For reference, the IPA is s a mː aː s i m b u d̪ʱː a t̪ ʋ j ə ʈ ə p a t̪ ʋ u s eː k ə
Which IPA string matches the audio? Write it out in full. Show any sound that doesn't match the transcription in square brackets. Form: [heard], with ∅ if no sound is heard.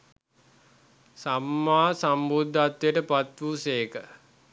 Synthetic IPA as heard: s a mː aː s [a] m b u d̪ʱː a t̪ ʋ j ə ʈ ə p a t̪ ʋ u s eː k ə